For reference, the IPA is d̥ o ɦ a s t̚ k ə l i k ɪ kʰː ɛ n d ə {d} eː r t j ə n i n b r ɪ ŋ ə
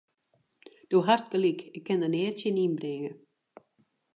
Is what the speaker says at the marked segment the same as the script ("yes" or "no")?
no